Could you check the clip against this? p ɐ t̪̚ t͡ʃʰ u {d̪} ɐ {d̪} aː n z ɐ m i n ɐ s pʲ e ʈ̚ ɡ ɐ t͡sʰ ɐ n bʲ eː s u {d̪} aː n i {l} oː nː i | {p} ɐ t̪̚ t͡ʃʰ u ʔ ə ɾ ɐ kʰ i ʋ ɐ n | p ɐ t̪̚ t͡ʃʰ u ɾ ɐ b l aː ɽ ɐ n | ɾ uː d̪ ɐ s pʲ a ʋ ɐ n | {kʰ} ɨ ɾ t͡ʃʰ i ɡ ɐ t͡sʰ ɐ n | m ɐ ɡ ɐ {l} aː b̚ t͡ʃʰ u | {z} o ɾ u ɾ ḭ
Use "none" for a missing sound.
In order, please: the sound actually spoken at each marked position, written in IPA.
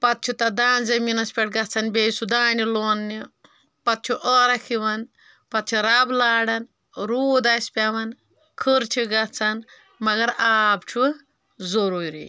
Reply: t̪, d̪, d̪, l, p, kʰ, ɾ, z

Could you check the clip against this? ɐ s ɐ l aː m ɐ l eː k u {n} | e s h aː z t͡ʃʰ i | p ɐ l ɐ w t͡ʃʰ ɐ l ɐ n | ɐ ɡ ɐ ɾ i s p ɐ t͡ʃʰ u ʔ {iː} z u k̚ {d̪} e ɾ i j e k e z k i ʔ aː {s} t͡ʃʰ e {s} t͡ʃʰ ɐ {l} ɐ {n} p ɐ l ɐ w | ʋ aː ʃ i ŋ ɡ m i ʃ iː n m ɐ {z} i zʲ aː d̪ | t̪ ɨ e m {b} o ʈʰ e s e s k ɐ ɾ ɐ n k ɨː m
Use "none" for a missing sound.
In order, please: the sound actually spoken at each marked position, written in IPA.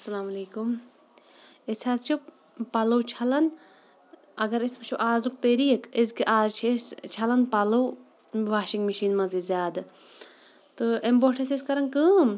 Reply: m, aː, t̪, z, s, l, n, z, b

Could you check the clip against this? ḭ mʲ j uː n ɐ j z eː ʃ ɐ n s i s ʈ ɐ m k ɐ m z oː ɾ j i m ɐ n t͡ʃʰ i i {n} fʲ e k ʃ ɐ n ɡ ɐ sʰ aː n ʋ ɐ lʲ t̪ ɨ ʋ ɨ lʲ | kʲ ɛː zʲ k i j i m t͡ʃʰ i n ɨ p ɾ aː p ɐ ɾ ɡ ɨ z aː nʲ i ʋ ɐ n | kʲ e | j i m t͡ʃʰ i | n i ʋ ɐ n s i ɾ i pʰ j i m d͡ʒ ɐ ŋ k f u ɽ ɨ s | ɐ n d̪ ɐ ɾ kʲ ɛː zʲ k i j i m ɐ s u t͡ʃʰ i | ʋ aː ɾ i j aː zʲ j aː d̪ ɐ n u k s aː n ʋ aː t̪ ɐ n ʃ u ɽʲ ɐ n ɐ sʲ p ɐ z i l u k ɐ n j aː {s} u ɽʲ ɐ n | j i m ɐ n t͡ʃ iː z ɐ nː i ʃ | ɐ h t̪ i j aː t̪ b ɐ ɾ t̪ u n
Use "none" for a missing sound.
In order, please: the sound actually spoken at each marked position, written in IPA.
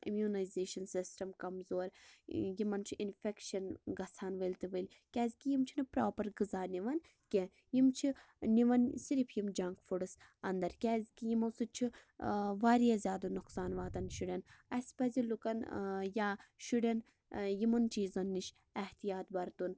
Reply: n, ʃ

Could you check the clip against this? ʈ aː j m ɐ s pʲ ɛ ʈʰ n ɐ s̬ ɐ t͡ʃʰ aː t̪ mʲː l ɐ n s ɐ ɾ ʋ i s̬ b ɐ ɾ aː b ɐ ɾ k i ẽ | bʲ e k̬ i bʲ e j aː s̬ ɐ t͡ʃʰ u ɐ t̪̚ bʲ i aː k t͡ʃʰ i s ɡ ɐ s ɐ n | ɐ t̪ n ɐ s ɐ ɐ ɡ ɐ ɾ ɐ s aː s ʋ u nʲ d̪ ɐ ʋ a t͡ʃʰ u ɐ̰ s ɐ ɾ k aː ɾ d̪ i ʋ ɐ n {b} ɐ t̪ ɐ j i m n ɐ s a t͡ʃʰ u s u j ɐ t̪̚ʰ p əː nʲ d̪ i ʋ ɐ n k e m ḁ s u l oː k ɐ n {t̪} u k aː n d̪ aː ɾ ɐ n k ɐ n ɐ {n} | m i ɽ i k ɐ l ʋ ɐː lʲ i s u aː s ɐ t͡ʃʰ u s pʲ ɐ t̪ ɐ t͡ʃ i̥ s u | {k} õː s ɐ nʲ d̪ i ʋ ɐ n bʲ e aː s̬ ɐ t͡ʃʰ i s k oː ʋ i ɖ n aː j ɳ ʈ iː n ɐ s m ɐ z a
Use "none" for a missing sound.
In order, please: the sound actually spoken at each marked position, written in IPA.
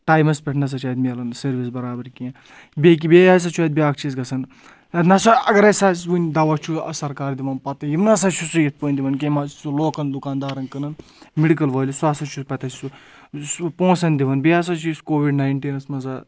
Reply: p, d̪, n, p

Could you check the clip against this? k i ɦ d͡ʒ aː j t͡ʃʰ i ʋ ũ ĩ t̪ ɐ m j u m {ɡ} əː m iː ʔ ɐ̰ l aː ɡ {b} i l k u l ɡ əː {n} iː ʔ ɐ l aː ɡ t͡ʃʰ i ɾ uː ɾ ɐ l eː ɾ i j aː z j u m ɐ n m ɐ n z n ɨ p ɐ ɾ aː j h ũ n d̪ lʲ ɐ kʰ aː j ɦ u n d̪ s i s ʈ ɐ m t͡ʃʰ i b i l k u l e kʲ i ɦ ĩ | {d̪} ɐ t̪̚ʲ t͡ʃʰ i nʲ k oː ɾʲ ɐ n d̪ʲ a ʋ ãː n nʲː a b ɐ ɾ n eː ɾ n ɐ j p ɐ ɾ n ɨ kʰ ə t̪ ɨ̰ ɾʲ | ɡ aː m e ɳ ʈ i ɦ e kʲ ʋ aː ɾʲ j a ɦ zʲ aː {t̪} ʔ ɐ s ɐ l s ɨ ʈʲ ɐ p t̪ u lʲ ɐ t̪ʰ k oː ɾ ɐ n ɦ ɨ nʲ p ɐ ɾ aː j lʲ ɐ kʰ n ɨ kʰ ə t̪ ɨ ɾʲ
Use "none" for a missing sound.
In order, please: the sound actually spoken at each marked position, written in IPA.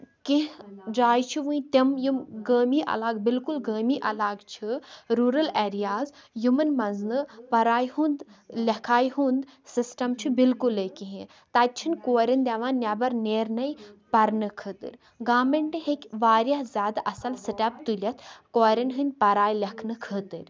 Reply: ɡ, b, m, t̪, d̪

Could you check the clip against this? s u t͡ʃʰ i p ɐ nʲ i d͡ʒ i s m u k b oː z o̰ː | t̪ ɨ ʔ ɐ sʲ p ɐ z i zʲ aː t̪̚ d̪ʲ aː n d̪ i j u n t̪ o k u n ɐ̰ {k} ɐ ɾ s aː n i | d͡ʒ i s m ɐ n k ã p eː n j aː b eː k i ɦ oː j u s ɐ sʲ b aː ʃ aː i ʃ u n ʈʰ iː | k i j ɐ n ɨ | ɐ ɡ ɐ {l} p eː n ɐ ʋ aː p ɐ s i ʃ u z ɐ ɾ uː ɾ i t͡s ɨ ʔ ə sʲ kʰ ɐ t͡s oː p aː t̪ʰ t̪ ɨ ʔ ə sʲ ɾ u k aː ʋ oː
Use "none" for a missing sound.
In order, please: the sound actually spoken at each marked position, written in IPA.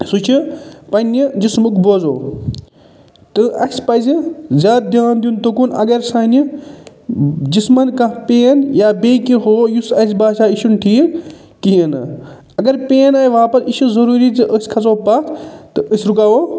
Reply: ɡ, ɾ

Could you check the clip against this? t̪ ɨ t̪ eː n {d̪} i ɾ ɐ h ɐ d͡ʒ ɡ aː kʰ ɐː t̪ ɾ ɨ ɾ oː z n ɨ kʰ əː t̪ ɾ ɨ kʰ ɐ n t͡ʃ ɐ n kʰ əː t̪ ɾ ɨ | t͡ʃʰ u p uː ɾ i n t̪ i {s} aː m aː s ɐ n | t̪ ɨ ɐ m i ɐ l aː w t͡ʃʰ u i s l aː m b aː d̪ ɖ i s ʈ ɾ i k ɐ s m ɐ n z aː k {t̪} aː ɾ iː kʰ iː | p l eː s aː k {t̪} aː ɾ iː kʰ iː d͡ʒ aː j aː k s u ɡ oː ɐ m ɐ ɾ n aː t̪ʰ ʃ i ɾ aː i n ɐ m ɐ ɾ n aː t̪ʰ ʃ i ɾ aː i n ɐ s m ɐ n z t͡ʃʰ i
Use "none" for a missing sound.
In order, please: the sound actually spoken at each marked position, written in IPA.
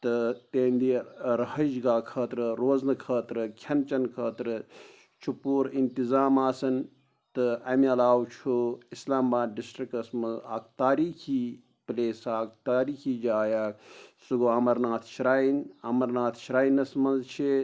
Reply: d̪, z, t̪, t̪

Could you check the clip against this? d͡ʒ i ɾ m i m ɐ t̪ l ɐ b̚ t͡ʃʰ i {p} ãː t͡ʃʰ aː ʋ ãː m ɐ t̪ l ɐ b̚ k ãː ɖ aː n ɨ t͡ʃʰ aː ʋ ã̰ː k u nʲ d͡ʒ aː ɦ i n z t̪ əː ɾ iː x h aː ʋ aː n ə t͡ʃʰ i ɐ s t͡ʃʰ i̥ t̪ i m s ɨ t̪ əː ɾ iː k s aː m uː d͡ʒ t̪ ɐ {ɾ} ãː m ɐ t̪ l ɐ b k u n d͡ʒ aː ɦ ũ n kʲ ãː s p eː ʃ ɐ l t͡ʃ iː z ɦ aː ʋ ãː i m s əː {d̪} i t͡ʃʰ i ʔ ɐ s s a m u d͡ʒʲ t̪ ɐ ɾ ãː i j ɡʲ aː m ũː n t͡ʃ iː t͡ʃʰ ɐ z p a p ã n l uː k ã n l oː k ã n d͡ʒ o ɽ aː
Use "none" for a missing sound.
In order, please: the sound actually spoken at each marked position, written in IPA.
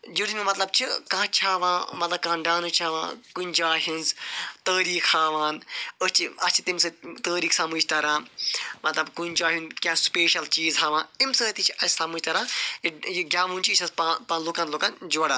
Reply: k, ɾ, t̪

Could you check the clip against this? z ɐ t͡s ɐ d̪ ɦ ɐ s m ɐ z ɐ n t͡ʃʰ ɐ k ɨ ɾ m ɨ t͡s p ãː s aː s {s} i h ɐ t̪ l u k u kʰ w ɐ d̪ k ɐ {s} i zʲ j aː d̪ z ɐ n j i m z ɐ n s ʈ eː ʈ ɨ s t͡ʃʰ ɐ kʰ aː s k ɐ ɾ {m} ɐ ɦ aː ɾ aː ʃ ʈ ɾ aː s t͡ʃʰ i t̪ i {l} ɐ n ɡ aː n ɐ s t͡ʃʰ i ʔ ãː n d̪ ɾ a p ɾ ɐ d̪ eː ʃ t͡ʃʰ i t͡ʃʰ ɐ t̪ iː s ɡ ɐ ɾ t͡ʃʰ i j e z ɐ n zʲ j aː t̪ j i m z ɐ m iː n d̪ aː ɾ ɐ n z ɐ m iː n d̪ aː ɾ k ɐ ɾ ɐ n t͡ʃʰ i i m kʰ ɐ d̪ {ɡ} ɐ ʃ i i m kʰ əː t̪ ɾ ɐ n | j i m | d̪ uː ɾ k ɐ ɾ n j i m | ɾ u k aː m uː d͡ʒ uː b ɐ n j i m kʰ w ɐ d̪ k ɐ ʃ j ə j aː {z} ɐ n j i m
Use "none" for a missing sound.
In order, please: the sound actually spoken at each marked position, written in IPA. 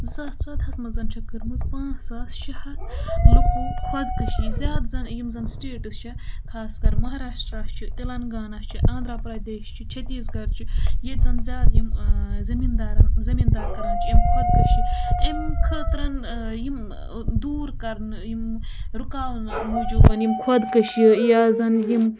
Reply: ʃ, ʃ, m, l, k, z

